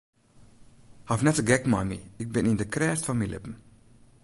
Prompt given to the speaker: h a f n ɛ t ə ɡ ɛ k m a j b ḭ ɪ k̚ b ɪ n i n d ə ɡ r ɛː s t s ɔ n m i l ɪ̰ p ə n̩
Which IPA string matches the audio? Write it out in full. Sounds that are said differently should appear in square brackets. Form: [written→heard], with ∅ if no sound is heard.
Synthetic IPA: h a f n ɛ t ə ɡ ɛ k m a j [b→m] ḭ ɪ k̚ b ɪ n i n d ə [ɡ→k] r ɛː s t [s→f] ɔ n m i l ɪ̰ p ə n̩

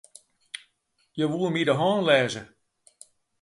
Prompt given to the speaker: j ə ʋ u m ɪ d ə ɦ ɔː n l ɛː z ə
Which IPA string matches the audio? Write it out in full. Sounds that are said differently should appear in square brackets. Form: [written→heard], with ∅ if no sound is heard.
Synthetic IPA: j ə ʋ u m [ɪ→i] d ə ɦ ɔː n l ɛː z ə

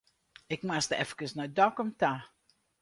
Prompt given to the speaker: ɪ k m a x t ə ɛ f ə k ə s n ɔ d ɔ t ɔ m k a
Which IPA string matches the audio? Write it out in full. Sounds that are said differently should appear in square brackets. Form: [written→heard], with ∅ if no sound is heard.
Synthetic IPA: ɪ k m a [x→s] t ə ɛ f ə k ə s n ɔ d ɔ [t→k] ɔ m [k→t] a

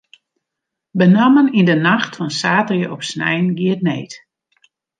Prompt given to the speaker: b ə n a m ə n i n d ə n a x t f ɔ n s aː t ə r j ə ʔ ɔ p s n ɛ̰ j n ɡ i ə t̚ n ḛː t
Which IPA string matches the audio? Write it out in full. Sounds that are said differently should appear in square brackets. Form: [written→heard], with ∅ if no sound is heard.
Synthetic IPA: b ə n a m ə n i n d ə n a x t f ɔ n s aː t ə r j ə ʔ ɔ p s n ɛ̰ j n ɡ i ə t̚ n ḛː t

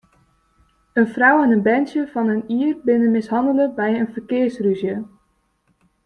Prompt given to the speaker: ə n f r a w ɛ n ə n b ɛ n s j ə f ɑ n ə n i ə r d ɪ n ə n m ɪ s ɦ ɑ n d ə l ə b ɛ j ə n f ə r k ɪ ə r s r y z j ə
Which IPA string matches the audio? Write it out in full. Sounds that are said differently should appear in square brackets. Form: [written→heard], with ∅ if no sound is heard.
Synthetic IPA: ə n f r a w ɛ n ə n b ɛ n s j ə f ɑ n ə n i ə r [d→b] ɪ n ə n m ɪ s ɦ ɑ n d ə l ə b ɛ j ə n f ə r k ɪ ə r s r y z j ə

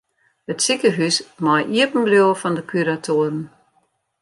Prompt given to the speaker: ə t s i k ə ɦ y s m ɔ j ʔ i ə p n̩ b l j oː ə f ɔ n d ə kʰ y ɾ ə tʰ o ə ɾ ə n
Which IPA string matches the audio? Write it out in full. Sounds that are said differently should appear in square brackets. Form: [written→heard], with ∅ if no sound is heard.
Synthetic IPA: ə t s i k ə ɦ y s m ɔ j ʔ i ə p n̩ b l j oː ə f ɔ n d ə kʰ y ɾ [ə→a] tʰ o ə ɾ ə n

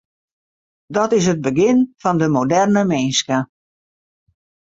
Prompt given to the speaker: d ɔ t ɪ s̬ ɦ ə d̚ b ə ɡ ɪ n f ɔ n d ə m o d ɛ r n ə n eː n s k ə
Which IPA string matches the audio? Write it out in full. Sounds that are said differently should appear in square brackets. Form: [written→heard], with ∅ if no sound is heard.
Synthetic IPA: d ɔ t ɪ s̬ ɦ ə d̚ b ə ɡ ɪ n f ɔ n d ə m o d ɛ r n ə [n→m] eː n s k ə

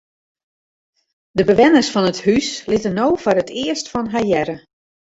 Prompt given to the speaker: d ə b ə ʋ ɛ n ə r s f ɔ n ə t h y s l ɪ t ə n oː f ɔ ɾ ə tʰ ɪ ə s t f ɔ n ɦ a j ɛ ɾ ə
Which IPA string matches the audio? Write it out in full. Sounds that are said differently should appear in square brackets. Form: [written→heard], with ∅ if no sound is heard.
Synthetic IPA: d ə b ə ʋ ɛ n ə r s f ɔ n ə t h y s l ɪ t ə n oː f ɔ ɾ ə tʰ ɪ ə s t f ɔ n ɦ a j ɛ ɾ ə

